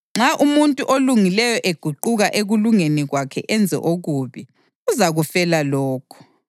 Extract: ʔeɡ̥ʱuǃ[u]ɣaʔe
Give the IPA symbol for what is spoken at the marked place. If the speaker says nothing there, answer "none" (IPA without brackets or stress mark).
u